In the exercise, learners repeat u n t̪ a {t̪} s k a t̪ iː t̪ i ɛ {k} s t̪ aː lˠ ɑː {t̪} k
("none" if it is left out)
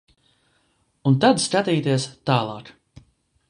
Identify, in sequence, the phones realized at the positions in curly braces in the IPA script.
d̪, none, none

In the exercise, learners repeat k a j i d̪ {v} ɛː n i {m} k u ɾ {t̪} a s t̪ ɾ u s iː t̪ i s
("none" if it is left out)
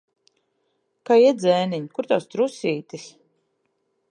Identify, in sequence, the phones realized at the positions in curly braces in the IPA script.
z, ɲ, t̪

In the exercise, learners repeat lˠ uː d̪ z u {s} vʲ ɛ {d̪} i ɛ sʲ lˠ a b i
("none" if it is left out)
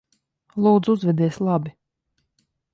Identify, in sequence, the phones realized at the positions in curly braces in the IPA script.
z, d̪

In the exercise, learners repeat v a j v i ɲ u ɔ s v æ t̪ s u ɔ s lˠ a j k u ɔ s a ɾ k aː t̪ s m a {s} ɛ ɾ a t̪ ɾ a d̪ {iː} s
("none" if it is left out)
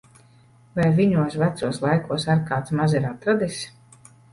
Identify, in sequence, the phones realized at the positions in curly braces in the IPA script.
z, i

